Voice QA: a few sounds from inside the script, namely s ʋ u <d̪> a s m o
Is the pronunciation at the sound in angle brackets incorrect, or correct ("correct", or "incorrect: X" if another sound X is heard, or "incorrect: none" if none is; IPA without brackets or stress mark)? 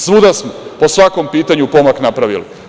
correct